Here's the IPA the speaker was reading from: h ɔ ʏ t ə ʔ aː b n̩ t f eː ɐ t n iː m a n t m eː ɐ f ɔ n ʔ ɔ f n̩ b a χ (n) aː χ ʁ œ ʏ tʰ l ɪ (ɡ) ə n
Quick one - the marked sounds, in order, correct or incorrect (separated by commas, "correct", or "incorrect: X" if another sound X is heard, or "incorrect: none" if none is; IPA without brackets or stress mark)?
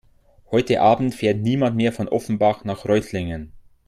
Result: correct, incorrect: ŋ